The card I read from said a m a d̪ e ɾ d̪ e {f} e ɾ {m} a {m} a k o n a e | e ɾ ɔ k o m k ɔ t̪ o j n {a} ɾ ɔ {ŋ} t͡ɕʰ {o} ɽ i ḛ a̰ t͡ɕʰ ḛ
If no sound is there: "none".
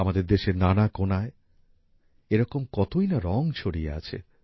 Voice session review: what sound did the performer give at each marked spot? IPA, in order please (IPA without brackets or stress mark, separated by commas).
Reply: ʃ, n, n, a, ŋ, o